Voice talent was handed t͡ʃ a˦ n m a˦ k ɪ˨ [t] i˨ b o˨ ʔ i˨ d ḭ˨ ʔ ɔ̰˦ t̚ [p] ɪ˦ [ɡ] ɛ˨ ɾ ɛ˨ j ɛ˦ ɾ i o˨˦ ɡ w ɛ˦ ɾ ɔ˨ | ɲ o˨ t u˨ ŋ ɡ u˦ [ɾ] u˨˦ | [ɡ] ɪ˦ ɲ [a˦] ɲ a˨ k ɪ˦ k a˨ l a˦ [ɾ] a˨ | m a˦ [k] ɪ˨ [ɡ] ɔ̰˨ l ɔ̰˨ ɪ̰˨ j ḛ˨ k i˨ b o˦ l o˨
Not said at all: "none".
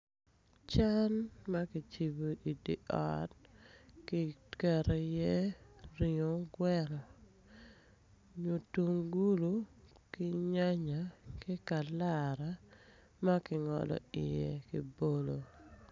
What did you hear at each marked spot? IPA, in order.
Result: t͡ʃ, k, k, l, k, a˦, ɾ, k, ŋ

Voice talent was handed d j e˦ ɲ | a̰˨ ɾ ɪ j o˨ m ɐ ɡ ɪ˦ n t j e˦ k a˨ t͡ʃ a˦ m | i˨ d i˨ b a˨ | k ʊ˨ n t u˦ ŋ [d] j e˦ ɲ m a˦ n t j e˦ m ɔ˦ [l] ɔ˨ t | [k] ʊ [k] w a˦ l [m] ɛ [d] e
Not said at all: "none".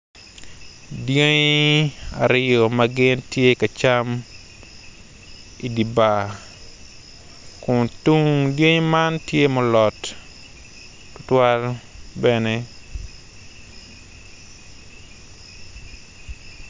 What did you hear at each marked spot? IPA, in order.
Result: d, l, t, t, b, n

